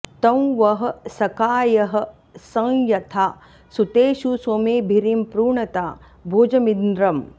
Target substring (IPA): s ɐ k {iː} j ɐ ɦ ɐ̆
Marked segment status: incorrect: aː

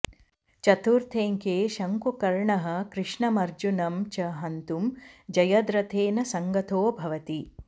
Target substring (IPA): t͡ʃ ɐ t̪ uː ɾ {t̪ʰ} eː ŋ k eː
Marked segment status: correct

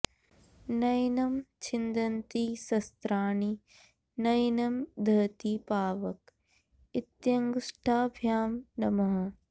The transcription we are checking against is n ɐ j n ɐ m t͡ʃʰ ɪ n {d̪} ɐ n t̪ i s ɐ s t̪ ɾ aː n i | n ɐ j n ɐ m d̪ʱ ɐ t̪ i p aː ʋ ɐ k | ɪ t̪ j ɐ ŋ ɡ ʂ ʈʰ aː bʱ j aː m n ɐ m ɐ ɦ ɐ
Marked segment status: correct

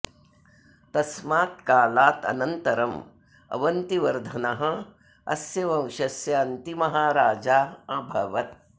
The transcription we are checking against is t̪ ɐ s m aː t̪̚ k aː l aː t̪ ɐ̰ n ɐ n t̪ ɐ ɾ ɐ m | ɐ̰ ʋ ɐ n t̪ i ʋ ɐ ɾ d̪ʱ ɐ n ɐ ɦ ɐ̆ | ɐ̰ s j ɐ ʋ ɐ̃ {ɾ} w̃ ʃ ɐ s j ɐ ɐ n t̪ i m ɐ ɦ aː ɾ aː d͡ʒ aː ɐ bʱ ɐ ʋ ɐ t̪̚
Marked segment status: incorrect: none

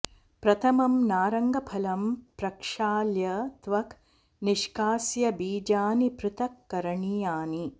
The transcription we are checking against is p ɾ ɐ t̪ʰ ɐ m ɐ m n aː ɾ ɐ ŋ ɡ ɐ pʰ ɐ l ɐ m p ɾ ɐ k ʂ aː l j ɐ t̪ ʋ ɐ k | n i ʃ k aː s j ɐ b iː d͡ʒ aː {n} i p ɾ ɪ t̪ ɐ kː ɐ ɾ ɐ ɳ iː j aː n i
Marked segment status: correct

